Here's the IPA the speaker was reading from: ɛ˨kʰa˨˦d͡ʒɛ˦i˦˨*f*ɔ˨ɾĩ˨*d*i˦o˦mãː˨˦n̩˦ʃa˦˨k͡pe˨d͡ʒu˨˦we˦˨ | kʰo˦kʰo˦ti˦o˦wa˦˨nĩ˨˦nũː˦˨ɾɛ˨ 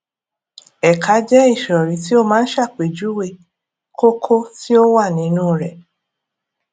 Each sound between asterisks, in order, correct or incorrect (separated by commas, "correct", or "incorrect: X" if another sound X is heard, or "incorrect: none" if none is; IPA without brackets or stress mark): incorrect: ʃ, incorrect: t